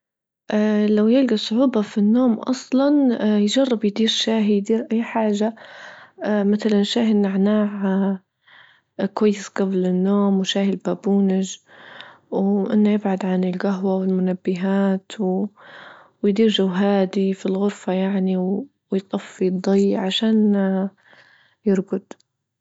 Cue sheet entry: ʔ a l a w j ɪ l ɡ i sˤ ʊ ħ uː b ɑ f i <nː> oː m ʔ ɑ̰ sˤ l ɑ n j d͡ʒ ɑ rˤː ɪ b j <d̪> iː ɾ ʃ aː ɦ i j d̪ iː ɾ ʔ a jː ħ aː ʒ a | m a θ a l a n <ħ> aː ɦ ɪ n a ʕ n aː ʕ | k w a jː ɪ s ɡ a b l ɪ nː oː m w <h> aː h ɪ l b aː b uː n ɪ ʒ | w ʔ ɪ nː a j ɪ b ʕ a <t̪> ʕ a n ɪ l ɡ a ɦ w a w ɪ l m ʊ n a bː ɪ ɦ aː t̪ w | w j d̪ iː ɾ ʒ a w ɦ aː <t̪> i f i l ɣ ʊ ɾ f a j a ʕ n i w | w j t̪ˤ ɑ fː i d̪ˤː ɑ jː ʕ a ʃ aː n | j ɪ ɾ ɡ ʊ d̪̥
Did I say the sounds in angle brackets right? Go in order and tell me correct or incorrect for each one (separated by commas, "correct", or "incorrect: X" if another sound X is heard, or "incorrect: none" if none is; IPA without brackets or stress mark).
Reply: correct, correct, incorrect: ʃ, incorrect: ʃ, incorrect: d̪, incorrect: d̪